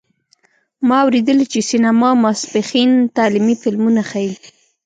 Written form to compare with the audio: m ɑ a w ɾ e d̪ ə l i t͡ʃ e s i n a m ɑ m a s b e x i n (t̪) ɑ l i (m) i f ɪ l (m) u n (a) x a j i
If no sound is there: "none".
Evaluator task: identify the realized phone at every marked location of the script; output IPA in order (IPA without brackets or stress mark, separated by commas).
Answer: t̪, m, m, a